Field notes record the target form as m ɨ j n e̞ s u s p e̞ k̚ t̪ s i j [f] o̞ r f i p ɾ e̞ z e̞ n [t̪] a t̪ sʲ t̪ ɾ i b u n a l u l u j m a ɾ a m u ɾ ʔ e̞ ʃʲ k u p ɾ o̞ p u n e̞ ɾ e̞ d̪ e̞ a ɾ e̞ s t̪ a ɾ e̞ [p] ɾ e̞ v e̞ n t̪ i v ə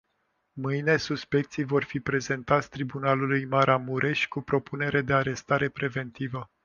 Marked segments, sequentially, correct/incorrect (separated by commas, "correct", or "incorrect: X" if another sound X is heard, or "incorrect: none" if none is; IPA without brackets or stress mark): incorrect: v, correct, correct